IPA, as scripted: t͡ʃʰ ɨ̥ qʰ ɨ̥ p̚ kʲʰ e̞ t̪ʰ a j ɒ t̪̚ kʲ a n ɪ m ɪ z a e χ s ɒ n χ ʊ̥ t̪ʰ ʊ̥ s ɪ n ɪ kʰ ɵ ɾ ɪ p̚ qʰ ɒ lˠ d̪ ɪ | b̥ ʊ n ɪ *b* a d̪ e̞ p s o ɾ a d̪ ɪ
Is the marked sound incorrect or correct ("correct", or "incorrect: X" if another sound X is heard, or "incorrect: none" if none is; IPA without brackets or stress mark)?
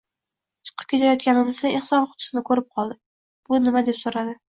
incorrect: m